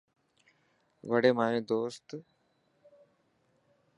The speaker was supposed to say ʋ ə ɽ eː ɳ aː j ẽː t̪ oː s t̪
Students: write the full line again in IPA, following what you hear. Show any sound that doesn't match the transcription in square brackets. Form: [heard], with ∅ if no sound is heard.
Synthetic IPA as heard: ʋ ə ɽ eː [m] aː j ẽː [d̪] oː s t̪